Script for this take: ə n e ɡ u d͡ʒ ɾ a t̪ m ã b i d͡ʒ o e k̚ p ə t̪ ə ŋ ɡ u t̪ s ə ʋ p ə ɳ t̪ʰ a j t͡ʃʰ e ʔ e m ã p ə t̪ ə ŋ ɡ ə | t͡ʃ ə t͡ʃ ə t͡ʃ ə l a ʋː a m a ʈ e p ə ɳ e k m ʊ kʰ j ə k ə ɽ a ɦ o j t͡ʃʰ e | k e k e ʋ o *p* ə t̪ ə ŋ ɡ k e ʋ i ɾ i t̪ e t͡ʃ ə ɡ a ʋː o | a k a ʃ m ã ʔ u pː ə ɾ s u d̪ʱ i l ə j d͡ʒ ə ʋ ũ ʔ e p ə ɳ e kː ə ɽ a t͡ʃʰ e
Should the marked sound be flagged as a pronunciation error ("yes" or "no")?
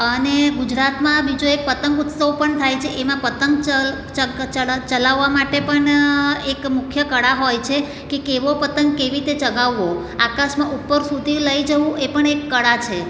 no